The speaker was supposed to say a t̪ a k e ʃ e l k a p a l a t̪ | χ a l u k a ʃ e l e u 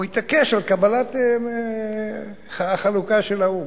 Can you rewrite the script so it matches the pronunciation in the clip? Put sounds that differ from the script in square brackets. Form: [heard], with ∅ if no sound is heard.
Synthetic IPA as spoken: [i] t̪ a k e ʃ [a] l k a [b] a l a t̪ | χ a l u k a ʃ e l [a] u